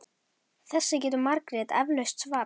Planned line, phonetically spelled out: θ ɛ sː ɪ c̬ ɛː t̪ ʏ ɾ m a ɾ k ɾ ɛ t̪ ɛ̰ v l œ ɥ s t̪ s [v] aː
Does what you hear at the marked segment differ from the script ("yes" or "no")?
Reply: no